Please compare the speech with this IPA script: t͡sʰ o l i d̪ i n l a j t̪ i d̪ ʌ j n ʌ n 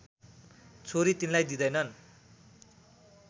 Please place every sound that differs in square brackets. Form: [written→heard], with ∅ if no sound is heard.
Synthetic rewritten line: t͡sʰ o [l→ɾ] i [d̪→t̪] i n l a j [t̪→d̪] i d̪ ʌ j n ʌ n